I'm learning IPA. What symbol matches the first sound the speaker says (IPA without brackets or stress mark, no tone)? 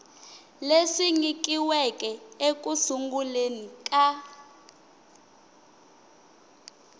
l